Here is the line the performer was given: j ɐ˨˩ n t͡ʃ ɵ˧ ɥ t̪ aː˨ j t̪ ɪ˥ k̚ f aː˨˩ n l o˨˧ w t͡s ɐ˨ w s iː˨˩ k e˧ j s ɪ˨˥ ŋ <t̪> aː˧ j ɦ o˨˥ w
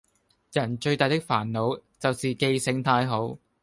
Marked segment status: incorrect: t̪ʰ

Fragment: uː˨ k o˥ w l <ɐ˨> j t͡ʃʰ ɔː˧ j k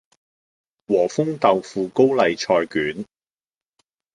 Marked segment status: correct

